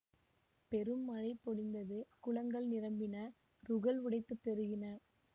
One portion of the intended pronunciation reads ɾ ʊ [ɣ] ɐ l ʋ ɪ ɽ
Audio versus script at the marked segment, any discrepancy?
no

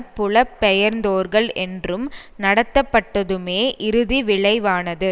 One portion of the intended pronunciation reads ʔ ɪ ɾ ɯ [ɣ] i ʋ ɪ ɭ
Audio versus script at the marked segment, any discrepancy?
yes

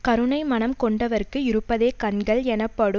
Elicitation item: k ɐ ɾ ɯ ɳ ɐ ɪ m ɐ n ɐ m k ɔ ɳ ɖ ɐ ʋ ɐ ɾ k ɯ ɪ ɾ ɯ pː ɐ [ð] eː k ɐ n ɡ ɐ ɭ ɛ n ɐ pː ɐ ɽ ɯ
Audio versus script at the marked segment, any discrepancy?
no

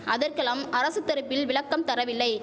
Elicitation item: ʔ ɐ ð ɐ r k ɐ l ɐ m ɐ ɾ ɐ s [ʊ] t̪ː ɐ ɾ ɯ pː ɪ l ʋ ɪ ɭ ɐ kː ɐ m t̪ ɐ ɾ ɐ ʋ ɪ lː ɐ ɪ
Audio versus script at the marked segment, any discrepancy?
yes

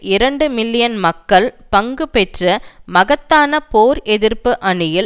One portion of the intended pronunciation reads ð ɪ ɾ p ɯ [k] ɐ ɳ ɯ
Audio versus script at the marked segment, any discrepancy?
yes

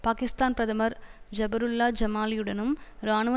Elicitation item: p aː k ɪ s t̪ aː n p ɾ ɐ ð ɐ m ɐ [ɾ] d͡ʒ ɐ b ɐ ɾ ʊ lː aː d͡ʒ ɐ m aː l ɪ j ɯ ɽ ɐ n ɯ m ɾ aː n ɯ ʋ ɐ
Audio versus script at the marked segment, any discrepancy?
no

